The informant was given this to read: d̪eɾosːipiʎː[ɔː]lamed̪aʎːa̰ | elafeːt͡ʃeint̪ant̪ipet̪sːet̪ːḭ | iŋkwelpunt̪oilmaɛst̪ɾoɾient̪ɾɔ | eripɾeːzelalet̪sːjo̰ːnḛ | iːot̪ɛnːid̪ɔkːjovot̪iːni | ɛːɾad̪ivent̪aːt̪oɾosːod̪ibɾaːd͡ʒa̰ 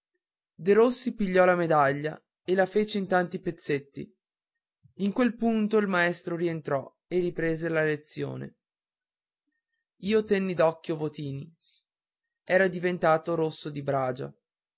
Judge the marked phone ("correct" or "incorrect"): incorrect